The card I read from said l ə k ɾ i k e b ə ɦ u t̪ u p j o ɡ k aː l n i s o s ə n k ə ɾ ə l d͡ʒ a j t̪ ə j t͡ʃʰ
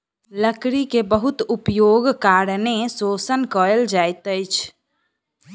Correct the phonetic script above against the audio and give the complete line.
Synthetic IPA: l ə k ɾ i k e b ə ɦ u t̪ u p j o ɡ k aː ɾ n e s o s ə n k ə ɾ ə l d͡ʒ a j t̪ ə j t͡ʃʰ